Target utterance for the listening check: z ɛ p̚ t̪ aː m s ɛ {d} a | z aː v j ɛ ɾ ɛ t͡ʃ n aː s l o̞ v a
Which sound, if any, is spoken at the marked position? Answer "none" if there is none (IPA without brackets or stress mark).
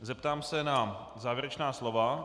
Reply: n